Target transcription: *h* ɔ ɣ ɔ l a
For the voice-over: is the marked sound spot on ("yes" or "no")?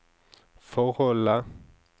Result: no